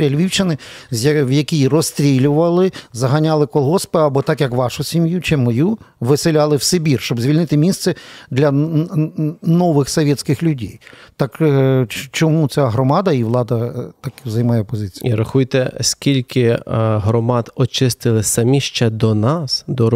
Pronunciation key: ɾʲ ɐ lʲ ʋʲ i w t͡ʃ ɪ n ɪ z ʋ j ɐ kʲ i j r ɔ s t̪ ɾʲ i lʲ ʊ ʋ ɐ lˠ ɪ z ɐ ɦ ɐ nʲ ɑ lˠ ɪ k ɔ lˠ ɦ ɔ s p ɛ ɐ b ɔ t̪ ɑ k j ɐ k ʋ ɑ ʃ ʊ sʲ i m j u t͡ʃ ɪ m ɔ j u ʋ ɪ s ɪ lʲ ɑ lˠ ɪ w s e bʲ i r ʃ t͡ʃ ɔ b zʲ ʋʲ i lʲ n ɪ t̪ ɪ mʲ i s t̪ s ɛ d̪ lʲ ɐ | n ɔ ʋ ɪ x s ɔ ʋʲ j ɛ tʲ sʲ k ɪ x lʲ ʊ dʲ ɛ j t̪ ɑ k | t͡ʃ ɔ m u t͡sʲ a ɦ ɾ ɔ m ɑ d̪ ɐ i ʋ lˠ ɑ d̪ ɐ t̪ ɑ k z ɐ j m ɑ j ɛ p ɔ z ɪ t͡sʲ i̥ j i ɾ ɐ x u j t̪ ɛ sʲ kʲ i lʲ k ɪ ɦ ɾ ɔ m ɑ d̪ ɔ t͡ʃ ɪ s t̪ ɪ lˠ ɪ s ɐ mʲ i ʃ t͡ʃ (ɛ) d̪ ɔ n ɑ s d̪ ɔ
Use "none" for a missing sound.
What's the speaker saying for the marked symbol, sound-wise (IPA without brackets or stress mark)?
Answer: ɛ